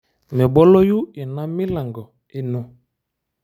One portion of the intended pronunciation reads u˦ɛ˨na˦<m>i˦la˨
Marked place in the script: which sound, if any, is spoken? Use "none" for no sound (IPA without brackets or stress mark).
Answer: m